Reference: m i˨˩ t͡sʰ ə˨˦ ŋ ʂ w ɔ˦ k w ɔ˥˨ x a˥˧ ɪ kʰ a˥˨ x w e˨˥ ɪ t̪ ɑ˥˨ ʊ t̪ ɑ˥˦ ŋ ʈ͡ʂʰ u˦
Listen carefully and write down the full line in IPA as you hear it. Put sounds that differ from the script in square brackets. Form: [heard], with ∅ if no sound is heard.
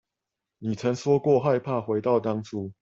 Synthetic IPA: [n] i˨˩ t͡sʰ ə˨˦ ŋ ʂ w ɔ˦ k w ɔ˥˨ x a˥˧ ɪ [pʰ] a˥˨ x w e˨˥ ɪ t̪ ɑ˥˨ ʊ t̪ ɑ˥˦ ŋ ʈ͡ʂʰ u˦